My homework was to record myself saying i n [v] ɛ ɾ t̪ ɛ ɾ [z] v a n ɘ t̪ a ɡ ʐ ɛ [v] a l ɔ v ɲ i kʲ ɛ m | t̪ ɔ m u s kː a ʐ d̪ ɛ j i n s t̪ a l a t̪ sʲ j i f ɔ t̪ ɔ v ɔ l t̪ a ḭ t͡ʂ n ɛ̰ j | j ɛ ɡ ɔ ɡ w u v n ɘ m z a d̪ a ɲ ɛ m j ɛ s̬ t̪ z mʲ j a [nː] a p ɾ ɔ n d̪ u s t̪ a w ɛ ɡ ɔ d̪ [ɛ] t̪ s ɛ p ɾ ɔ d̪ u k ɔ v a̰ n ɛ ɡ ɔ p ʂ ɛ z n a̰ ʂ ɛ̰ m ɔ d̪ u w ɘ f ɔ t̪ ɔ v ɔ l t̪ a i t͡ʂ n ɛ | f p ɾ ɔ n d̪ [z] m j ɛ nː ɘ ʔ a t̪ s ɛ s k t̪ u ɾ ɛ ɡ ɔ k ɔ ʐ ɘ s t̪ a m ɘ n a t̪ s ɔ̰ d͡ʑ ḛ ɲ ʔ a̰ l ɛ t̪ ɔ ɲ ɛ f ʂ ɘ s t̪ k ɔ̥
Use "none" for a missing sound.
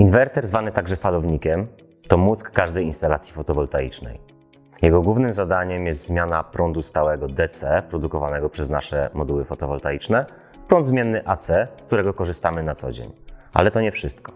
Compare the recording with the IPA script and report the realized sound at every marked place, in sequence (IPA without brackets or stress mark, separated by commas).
v, z, f, n, ɛ, z